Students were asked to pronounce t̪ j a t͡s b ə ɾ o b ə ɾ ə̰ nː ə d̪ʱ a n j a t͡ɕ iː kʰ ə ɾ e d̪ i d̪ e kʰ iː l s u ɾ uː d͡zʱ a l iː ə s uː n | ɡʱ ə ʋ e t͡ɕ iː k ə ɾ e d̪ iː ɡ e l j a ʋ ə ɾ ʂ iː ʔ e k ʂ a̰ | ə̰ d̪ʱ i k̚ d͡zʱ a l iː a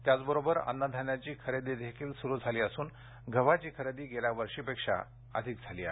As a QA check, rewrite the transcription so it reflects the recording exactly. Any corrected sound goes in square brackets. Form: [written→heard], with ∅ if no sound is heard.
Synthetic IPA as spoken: t̪ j a t͡s b ə ɾ o b ə ɾ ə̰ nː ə d̪ʱ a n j a t͡ɕ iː kʰ ə ɾ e d̪ i d̪ e kʰ iː l s u ɾ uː d͡zʱ a l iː ə s uː n | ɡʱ ə ʋ [e→a] t͡ɕ iː [k→kʰ] ə ɾ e d̪ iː ɡ e l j a ʋ ə ɾ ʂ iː [ʔ→p] e k ʂ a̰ | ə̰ d̪ʱ i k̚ d͡zʱ a l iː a